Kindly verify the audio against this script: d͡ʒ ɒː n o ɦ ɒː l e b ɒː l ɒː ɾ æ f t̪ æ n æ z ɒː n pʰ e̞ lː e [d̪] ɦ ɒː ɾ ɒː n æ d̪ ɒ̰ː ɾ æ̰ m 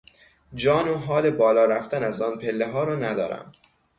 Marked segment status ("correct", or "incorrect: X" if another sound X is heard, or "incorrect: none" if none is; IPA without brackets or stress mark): incorrect: none